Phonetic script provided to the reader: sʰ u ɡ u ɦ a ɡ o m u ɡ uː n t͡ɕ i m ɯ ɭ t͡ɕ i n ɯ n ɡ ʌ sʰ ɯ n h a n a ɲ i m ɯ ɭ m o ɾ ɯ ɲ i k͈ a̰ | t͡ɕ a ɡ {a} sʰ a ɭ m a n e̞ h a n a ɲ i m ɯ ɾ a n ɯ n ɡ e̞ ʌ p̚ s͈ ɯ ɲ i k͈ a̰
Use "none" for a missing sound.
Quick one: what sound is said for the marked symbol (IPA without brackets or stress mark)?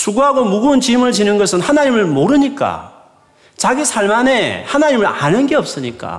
i